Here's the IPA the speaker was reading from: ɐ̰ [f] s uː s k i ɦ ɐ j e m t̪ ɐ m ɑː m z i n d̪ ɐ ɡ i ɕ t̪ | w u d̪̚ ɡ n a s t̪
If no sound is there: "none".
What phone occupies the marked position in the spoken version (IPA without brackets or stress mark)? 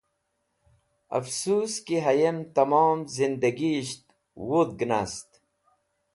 f